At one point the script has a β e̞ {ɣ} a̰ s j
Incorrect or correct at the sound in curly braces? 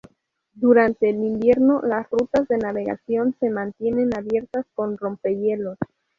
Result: correct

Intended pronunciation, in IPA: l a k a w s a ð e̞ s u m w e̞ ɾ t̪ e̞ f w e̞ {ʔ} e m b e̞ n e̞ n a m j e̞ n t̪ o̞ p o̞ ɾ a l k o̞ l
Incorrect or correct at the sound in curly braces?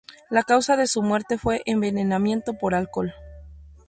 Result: correct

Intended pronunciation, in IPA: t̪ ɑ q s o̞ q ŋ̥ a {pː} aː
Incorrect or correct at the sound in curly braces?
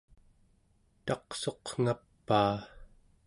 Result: correct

